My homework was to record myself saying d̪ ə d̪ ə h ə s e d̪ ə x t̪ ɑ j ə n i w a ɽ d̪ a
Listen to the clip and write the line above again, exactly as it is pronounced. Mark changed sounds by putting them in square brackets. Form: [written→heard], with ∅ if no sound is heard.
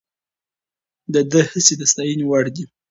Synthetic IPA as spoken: d̪ ə d̪ ə h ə s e d̪ ə [x→s] t̪ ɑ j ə n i w a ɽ d̪ [a→i]